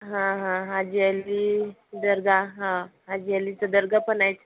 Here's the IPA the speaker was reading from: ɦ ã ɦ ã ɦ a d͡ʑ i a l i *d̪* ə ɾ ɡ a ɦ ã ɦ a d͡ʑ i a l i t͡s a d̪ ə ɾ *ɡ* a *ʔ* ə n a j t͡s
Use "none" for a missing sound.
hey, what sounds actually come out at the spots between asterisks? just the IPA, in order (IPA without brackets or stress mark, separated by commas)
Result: d̪, ɡ, p